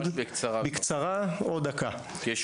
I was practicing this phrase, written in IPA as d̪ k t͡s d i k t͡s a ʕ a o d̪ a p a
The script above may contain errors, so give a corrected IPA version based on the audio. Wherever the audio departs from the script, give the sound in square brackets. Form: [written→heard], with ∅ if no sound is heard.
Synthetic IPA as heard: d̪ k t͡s [d→b] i k t͡s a [ʕ→ʁ] a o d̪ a [p→k] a